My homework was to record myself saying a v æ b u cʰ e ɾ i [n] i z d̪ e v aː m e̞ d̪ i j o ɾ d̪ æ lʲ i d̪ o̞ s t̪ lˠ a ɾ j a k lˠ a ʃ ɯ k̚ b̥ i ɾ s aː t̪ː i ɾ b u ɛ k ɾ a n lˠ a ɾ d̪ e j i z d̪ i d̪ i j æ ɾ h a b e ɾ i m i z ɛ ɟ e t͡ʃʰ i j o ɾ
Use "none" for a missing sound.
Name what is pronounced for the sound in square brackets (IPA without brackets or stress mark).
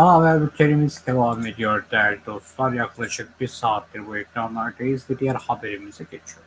m